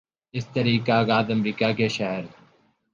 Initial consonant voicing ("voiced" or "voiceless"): voiceless